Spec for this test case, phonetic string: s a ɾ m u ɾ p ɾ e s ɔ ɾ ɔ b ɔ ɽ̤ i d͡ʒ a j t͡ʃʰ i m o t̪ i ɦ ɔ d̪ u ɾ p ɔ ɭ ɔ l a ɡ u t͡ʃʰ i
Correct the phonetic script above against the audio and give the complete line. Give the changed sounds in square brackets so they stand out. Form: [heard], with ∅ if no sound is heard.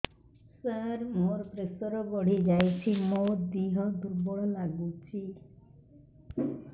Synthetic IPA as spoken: s a ɾ m [o] ɾ p ɾ e s ɔ ɾ ɔ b ɔ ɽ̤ i d͡ʒ a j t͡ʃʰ i m o [d̪] i ɦ ɔ d̪ u ɾ [b] ɔ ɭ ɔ l a ɡ u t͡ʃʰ i